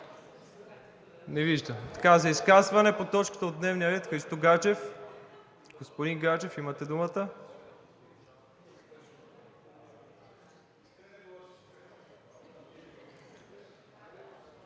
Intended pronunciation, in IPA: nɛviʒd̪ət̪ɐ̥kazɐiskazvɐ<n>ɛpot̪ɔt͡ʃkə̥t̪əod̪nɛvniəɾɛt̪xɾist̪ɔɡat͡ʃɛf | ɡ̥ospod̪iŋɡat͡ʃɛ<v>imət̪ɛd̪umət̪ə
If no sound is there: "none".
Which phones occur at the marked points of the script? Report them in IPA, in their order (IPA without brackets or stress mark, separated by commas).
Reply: n, f